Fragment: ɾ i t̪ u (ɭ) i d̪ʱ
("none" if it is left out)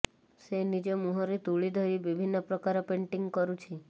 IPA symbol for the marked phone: ɭ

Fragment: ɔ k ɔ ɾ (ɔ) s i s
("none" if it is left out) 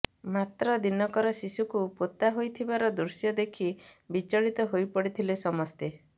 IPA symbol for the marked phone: ɔ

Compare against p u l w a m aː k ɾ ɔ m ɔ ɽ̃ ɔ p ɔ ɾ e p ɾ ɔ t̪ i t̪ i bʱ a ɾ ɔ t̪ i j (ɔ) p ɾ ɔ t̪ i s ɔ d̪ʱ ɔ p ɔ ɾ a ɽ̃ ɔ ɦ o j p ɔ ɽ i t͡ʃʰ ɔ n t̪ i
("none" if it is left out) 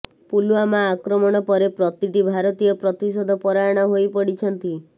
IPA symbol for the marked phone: ɔ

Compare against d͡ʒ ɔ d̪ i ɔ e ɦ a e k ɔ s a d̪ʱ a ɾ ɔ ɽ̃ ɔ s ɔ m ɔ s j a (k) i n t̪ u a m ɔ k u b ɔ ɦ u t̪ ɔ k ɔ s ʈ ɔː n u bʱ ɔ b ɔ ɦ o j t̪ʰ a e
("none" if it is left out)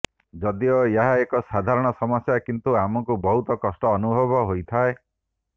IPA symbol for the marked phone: k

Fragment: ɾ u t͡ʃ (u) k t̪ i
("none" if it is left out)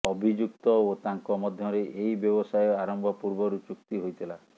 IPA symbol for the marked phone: u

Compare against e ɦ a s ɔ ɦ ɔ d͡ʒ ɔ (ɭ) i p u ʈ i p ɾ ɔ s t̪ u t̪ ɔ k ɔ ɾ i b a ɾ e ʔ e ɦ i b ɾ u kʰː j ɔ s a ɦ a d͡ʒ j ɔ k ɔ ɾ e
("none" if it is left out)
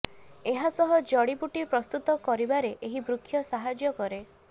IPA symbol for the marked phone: ɽ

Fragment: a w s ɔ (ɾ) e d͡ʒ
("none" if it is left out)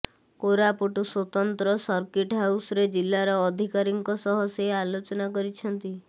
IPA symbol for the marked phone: ɾ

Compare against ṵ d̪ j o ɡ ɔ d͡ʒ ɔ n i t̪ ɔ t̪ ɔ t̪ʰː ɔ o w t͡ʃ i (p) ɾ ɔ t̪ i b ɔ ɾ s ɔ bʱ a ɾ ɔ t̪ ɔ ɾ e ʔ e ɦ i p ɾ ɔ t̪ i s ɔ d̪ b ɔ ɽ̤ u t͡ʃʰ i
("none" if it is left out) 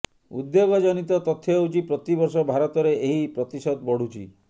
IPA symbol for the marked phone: p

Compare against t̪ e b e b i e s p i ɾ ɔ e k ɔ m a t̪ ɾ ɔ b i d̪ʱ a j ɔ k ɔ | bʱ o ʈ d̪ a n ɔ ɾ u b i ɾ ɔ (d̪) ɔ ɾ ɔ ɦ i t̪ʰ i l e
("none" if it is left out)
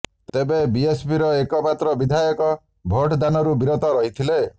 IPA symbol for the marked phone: t̪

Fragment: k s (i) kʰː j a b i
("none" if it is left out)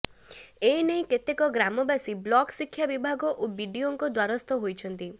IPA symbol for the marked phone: i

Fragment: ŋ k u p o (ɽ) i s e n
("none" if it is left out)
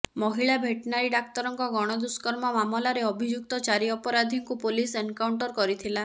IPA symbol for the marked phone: l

